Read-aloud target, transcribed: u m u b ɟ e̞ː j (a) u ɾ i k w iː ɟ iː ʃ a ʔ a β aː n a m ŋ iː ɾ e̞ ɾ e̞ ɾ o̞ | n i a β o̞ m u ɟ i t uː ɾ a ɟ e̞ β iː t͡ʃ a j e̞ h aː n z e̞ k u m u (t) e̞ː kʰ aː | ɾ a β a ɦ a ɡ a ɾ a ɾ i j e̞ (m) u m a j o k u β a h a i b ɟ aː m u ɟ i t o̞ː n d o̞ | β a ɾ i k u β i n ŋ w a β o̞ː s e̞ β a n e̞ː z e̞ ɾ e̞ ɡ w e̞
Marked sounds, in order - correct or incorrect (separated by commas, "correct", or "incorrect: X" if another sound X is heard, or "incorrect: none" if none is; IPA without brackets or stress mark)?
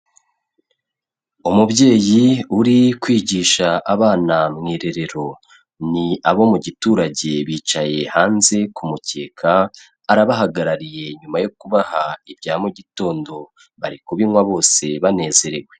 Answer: incorrect: i, incorrect: c, incorrect: ɲ